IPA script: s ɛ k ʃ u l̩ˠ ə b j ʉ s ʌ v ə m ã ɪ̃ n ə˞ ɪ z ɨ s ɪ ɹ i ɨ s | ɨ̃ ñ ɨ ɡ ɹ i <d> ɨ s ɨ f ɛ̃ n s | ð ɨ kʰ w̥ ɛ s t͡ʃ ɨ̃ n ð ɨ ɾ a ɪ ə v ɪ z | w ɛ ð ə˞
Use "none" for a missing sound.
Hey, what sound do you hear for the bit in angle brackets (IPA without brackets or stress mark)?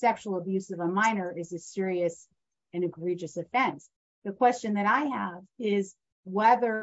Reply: d͡ʒ